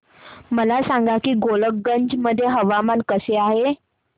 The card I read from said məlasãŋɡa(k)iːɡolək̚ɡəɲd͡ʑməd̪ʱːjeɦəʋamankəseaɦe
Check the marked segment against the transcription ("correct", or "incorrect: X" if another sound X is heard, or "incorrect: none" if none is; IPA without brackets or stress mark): correct